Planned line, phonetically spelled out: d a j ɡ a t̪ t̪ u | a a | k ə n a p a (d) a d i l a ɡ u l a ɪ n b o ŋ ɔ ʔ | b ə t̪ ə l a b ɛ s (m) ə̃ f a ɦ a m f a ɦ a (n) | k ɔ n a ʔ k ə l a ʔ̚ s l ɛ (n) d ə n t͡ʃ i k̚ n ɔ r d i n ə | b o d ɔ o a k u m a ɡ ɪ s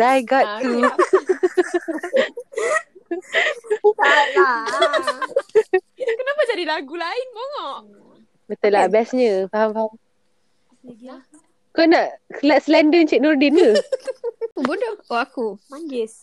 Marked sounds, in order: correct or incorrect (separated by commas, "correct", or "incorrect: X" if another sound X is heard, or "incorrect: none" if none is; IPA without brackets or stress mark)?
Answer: incorrect: d͡ʒ, incorrect: ɲ, incorrect: m, correct